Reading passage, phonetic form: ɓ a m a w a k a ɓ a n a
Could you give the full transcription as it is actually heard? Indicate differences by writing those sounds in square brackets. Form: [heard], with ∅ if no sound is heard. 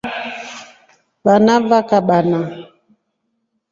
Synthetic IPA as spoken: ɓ a [n] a [v] a k a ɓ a n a